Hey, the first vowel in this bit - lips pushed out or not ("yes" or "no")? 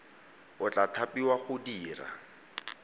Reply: yes